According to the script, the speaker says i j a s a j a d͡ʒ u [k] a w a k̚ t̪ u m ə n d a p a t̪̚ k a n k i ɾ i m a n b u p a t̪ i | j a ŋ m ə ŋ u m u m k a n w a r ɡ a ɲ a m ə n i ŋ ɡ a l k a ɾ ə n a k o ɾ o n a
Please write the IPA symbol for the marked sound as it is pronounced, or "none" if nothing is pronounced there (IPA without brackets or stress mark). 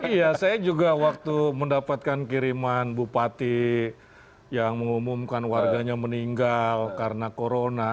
ɡ